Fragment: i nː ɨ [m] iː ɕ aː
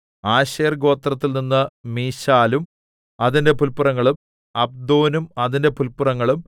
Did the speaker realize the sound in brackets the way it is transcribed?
yes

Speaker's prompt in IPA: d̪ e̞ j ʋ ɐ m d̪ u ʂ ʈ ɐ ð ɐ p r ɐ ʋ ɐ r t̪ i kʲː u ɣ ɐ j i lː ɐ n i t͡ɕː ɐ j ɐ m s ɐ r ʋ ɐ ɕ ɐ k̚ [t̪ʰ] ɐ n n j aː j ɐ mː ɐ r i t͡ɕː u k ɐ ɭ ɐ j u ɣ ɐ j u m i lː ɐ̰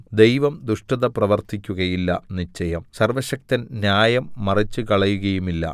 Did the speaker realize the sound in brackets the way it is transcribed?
no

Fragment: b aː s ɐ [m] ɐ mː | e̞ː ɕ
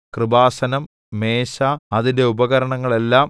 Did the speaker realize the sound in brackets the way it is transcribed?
no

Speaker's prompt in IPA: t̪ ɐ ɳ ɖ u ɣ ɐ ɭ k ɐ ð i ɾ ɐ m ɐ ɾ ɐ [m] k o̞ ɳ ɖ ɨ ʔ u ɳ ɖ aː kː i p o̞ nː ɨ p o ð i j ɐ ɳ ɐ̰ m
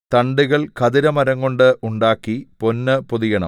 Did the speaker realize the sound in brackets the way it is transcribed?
no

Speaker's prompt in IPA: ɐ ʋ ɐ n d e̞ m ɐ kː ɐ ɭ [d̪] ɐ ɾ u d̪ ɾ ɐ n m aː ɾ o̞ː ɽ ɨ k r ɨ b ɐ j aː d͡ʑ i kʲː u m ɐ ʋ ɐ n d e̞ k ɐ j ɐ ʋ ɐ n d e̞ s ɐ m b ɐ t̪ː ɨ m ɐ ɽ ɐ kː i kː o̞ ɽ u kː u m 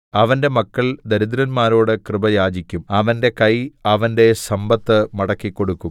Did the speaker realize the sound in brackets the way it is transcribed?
yes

